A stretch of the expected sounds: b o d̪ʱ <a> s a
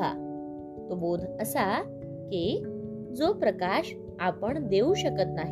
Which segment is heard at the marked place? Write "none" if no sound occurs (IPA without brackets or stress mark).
ə